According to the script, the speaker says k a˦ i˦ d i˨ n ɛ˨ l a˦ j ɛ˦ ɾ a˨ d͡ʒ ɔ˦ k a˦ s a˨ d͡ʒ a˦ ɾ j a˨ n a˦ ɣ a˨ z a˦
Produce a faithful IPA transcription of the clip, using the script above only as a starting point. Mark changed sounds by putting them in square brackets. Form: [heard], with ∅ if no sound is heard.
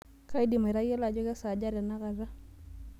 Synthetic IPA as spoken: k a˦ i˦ d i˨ [m] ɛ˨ [ɾ] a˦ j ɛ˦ [l] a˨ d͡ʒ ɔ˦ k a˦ s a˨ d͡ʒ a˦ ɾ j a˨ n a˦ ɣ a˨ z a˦